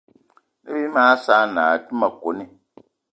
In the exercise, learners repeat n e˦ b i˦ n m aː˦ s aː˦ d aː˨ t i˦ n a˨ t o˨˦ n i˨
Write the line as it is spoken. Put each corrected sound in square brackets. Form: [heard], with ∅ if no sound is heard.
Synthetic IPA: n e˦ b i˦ [∅] m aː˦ s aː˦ [n] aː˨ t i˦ [m] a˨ [k] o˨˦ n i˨